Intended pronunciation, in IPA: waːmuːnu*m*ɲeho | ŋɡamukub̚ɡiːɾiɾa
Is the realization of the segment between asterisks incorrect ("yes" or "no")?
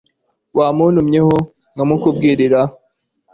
no